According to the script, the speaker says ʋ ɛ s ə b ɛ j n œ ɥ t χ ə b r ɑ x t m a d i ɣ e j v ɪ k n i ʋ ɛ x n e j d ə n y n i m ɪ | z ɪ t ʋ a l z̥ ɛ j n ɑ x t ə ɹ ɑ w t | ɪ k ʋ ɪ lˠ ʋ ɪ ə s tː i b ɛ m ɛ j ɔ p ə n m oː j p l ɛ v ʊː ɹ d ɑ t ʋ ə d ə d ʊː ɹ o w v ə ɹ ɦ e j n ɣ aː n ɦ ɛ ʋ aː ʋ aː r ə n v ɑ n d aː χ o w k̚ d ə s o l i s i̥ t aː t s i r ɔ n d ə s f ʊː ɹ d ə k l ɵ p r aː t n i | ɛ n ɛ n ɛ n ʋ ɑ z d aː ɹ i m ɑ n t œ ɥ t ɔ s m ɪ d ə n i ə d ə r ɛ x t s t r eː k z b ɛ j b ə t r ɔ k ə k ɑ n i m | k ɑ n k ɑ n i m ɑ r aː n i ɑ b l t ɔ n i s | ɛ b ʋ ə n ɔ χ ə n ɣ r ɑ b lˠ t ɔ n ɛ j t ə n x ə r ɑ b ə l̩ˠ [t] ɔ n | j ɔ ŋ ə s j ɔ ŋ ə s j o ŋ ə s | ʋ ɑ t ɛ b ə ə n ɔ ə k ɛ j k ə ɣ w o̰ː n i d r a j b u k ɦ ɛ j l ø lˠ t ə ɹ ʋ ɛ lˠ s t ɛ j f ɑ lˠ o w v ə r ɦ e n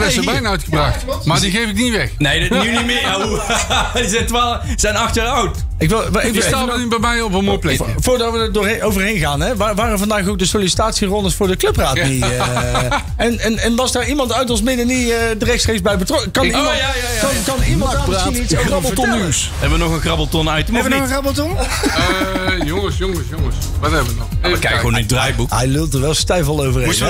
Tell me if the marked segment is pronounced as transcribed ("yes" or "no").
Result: yes